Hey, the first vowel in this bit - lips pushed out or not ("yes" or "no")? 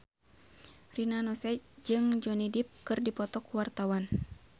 no